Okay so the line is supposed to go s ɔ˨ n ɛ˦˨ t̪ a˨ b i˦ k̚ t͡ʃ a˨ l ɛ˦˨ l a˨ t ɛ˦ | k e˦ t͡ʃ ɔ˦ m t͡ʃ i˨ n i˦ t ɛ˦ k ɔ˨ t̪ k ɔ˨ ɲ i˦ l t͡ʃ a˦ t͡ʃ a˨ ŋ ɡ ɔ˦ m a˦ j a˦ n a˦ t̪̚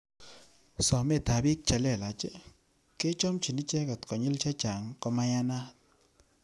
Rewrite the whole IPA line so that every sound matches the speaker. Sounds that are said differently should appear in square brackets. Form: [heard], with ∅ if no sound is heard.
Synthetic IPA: s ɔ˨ [m] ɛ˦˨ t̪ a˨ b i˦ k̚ t͡ʃ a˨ l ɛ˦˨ l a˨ [t͡ʃ] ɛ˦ | k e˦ t͡ʃ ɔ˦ m t͡ʃ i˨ n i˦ [t͡ʃ] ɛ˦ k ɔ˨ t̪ k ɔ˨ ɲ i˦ l t͡ʃ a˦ t͡ʃ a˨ ŋ [k] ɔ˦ m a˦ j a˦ n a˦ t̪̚